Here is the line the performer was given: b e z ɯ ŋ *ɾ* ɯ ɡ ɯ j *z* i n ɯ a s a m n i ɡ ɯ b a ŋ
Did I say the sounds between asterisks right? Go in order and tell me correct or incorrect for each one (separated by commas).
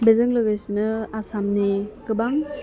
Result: incorrect, incorrect